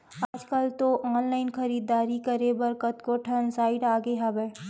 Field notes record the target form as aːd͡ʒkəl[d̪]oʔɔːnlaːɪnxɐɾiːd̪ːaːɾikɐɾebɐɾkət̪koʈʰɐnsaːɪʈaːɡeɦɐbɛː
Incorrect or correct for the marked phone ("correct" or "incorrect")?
incorrect